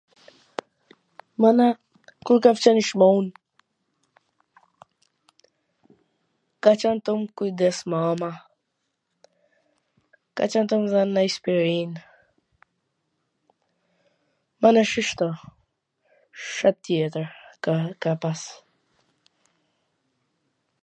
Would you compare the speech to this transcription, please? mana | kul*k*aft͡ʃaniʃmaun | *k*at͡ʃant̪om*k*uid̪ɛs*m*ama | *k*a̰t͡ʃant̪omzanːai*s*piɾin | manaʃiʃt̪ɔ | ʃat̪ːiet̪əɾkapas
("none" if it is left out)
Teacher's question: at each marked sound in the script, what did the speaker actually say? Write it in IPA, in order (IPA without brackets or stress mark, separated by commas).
k, k, k, m, k, s